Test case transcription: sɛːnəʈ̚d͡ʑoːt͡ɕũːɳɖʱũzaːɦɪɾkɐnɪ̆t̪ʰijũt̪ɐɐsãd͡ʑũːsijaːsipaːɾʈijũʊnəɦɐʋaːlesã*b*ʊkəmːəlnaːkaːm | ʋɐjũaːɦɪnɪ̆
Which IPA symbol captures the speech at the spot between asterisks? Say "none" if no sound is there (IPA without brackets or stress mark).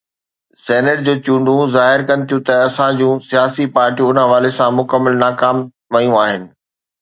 m